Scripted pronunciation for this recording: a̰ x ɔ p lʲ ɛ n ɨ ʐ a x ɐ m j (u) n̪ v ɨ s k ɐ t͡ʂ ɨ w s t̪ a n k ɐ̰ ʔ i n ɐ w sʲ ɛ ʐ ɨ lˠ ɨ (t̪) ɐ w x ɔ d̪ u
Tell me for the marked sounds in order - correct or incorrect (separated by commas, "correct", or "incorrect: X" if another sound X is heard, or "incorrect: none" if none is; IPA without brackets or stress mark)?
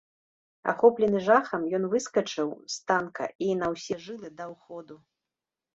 incorrect: ɔ, incorrect: d̪